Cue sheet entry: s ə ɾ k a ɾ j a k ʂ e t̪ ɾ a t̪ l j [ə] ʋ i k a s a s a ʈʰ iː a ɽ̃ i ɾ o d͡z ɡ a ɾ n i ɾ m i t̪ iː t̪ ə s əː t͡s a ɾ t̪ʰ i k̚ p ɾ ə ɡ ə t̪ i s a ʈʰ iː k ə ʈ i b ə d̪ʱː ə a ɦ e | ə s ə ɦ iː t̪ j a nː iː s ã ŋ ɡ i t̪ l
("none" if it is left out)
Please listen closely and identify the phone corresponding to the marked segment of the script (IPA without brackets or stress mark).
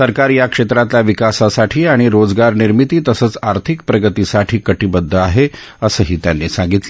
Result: a